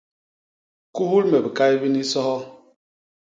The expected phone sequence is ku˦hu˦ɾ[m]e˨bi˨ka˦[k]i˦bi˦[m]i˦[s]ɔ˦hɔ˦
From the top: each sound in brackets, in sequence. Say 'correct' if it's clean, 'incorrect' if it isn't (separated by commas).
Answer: correct, incorrect, incorrect, correct